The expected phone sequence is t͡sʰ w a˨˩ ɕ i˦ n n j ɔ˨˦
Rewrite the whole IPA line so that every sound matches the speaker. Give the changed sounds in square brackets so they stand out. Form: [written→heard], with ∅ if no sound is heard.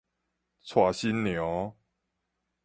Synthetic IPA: t͡sʰ w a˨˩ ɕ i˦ n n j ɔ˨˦